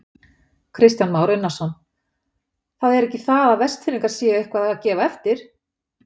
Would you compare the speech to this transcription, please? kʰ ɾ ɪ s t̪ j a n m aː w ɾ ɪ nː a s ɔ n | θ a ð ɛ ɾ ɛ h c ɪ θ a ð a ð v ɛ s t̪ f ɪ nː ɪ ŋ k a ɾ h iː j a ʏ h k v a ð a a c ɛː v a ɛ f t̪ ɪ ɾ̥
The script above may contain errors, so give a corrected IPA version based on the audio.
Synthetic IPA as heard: kʰ ɾ ɪ s t̪ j a n m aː w ɾ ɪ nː a s ɔ n | θ a ð ɛ ɾ ɛ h c ɪ θ a ð a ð v ɛ s t̪ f ɪ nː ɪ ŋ k a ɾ s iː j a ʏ h k v a ð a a c ɛː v a ɛ f t̪ ɪ ɾ̥